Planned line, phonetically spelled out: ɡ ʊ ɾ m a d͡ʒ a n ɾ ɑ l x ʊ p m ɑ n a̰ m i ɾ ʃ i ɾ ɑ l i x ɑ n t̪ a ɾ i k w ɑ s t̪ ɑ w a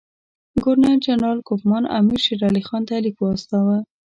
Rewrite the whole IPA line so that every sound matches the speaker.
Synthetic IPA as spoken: ɡ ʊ ɾ n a d͡ʒ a n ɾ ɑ l k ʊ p m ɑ n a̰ m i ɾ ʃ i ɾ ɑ l i x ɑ n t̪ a l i k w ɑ s t̪ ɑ w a

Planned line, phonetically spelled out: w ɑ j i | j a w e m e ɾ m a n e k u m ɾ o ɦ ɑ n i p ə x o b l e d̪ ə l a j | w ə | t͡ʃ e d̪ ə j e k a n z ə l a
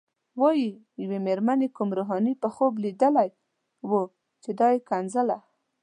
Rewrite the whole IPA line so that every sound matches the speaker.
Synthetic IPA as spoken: w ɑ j i | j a w e m e ɾ m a n e k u m ɾ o ɦ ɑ n i p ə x o b l i d̪ ə l a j | w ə | t͡ʃ e d̪ ɑ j e k a n z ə l a

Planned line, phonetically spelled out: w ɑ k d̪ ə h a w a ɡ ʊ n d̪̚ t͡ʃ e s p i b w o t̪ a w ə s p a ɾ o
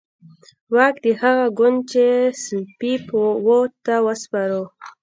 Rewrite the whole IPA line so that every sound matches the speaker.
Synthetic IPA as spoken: w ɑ k d̪ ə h a ɣ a ɡ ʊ n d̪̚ t͡ʃ e s p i p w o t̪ a w ə s p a ɾ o

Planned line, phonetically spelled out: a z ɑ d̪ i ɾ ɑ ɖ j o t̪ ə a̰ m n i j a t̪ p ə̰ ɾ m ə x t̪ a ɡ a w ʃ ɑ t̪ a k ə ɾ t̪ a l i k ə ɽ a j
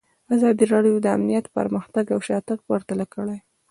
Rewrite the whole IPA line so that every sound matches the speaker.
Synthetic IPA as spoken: a z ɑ d̪ i ɾ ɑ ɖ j o d̪ ə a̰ m n i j a t̪ p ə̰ ɾ m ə x t̪ a ɡ a w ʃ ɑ t̪ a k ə ɾ t̪ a l a k ə ɽ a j

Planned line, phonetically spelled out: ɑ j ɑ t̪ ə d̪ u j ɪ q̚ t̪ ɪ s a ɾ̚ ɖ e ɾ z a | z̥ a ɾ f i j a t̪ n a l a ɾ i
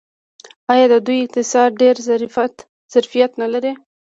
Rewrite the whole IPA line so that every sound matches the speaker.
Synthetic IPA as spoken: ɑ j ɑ d̪ ə d̪ u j ɪ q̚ t̪ ɪ s ɑ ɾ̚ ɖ e ɾ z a | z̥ a ɾ f i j a t̪ n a l a ɾ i

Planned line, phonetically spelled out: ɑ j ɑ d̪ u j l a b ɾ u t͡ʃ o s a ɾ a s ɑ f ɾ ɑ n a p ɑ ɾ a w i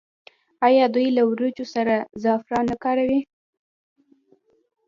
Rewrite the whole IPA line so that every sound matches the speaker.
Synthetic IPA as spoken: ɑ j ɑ d̪ u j l a w ɾ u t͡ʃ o s a ɾ a z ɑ f ɾ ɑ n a k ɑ ɾ a w i

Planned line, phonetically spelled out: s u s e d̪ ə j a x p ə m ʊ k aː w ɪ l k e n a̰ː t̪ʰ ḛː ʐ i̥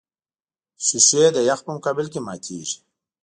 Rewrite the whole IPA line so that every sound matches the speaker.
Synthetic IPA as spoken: s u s e d̪ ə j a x p ə m ʊ k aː b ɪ l k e m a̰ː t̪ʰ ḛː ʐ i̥

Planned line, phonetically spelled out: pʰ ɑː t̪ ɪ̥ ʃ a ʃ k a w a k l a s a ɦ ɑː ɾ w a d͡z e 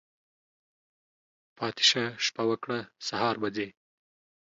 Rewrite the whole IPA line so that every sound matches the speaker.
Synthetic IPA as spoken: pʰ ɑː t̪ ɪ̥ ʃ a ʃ p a w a k ɽ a s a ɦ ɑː ɾ b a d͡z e

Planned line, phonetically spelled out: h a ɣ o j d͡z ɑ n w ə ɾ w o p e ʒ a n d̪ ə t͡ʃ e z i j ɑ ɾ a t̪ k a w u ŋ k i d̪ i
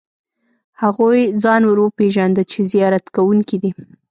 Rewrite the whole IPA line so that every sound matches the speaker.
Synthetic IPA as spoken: h a ɣ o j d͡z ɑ n w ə ɾ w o p e ʒ a n d̪ ə t͡ʃ e z i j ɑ ɾ a t̪ k a w u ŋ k i d̪ i

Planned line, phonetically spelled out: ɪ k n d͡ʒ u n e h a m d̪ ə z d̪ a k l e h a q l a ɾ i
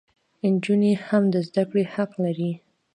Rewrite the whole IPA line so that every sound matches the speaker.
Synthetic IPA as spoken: ɪ n d͡ʒ u n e h a m d̪ ə z d̪ a k ɽ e h a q l a ɾ i

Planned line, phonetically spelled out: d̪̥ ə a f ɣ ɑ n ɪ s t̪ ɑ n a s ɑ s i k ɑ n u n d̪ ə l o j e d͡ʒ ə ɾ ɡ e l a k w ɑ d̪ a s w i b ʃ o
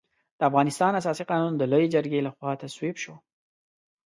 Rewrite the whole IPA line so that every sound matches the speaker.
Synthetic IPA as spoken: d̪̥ ə a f ɣ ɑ n ɪ s t̪ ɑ n a s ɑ s i q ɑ n u n d̪ ə l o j e d͡ʒ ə ɾ ɡ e l a x w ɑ t̪ a s w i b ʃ o

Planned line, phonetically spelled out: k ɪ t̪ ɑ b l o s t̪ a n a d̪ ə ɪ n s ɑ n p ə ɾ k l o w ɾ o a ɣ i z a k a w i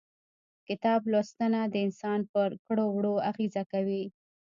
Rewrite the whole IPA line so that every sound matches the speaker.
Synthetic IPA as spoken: k ɪ t̪ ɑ b l o s t̪ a n a d̪ ə ɪ n s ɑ n p ə ɾ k ɽ o w ɽ o a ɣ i z a k a w i

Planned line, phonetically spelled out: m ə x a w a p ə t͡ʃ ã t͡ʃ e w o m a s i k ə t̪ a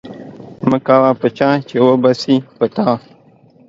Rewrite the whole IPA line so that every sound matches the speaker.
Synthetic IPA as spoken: m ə k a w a p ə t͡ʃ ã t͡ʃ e w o b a s i p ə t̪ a

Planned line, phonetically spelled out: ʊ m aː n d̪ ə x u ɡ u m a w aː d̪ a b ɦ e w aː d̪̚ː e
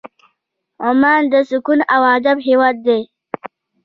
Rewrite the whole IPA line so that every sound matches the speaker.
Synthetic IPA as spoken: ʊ m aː n d̪ ə s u k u n a w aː d̪ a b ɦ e w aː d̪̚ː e

